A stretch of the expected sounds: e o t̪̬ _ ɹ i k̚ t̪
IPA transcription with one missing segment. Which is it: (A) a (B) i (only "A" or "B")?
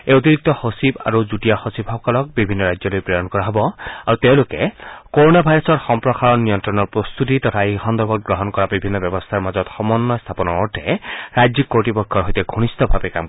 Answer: B